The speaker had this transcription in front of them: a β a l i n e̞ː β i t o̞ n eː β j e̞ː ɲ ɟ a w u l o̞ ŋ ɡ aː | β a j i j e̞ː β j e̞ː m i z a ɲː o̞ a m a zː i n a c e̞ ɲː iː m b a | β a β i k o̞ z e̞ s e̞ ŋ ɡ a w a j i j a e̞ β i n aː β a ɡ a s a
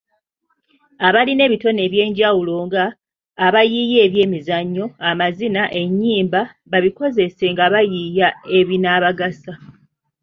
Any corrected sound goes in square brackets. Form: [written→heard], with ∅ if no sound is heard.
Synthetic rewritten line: a β a l i n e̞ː β i t o̞ n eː β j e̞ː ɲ ɟ a w u l o̞ ŋ ɡ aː | β a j i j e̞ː β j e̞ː m i z a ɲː o̞ a m a [zː→z] i n a [c→ʔ] e̞ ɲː iː m b a | β a β i k o̞ z e̞ s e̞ ŋ ɡ a [w→β] a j i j a e̞ β i n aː β a ɡ a s a